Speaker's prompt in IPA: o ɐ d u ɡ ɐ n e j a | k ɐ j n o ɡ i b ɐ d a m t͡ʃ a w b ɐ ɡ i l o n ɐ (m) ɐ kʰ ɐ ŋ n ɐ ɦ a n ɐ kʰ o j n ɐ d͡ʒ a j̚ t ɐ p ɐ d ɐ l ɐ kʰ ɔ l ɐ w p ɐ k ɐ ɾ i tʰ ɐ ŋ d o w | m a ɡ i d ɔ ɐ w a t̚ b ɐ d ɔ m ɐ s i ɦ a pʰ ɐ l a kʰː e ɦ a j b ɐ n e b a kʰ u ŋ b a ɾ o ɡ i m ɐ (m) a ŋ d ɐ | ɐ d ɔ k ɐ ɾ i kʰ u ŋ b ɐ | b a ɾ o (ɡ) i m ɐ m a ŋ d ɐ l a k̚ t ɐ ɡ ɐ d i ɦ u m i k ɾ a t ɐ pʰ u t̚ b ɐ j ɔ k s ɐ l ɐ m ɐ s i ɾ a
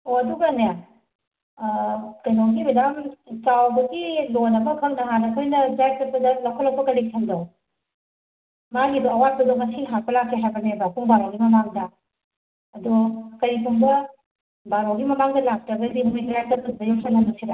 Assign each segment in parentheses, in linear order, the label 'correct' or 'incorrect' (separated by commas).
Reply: incorrect, correct, correct